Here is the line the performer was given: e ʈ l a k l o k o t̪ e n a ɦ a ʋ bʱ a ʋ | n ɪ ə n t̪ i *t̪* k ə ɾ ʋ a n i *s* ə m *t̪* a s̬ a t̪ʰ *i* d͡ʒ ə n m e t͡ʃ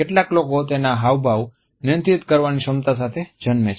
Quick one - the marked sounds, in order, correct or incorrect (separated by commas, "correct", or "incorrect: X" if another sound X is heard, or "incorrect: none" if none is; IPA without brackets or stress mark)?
correct, incorrect: ʃ, correct, incorrect: e